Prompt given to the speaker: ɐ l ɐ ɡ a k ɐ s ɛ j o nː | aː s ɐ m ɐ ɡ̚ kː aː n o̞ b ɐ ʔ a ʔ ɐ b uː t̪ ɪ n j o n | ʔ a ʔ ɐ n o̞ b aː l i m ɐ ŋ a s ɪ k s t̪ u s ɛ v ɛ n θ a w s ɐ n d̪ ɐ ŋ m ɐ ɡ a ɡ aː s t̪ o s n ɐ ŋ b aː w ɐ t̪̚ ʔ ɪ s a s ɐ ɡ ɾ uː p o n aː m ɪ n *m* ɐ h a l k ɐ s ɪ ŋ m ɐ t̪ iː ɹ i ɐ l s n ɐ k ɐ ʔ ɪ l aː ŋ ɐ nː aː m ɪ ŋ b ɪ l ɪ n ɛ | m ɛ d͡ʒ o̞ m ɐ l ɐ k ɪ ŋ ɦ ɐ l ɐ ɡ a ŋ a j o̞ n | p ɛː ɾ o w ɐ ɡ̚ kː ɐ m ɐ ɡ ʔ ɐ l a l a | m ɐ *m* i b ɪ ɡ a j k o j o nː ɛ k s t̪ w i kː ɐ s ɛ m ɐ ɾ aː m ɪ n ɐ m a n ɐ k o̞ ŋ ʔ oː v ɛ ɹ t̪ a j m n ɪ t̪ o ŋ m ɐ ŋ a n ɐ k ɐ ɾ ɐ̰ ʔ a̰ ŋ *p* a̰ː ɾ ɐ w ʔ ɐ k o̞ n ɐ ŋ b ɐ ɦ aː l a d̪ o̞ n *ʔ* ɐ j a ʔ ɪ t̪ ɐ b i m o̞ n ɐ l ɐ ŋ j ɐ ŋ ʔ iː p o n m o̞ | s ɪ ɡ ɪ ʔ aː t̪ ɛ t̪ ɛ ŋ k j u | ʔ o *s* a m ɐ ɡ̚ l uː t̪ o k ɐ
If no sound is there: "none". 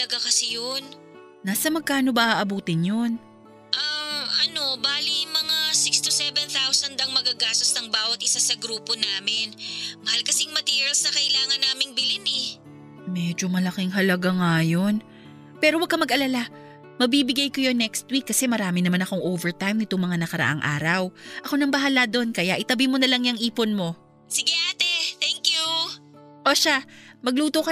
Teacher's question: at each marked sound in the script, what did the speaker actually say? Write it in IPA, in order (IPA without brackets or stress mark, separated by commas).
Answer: m, b, ʔ, k, ʃ